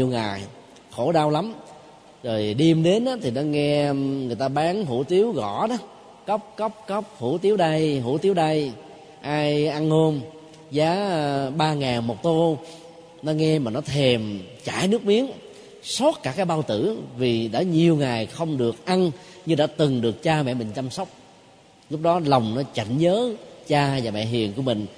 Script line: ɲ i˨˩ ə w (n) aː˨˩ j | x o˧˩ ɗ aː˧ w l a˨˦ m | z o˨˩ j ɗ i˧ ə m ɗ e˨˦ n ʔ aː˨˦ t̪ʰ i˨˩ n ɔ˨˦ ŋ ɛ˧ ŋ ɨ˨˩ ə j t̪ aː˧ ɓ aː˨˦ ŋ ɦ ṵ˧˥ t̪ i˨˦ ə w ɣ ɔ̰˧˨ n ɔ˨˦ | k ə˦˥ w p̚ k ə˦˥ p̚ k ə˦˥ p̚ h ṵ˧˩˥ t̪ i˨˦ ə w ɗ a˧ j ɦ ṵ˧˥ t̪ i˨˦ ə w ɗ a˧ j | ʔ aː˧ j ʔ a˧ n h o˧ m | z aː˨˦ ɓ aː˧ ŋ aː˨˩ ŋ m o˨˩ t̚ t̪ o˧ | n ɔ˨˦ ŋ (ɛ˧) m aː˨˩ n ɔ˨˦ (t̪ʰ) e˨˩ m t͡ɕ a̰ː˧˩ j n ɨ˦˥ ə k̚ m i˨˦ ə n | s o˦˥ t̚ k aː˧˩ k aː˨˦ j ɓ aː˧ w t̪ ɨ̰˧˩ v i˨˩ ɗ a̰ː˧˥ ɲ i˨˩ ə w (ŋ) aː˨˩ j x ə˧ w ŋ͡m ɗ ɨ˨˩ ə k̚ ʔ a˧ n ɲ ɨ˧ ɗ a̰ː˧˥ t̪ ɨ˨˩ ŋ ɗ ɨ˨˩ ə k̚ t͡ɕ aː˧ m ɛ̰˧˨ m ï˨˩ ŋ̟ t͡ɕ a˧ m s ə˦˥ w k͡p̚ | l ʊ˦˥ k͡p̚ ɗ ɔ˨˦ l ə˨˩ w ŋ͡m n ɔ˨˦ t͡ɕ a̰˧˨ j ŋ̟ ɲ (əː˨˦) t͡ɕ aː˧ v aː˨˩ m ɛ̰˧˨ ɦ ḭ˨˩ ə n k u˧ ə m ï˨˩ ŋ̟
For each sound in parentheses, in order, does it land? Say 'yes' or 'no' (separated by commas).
no, yes, yes, yes, yes